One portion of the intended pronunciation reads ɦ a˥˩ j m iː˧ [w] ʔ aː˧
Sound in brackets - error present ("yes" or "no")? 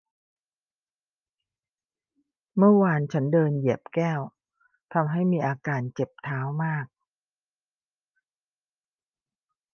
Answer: yes